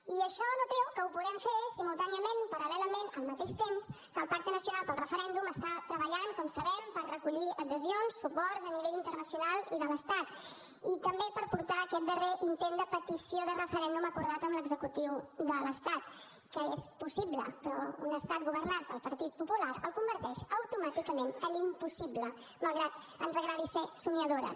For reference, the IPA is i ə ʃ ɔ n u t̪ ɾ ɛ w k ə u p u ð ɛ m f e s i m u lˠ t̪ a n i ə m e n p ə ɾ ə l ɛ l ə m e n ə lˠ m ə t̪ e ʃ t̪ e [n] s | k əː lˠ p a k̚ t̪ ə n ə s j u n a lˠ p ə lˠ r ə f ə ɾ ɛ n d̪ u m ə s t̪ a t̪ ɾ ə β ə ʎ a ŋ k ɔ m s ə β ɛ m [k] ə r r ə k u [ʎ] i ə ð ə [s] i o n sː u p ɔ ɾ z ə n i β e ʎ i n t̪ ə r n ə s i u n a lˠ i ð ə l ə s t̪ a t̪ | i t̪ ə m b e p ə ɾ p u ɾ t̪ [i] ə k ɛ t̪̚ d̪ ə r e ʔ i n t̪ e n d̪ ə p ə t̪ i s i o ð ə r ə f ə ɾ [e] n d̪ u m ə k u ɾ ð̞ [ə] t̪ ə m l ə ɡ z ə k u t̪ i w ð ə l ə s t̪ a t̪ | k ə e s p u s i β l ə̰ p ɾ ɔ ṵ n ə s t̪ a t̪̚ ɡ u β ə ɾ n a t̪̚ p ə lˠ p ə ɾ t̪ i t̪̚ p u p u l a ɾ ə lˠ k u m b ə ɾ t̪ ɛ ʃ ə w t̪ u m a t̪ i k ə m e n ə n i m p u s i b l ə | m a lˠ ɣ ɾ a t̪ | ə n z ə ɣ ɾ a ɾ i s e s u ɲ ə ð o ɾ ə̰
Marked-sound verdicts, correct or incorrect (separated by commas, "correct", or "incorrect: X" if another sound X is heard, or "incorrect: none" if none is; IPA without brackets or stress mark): incorrect: m, incorrect: p, correct, incorrect: z, incorrect: a, incorrect: ɛ, incorrect: a